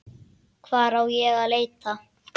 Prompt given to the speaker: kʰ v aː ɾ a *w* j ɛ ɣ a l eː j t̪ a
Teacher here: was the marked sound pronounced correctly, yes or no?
yes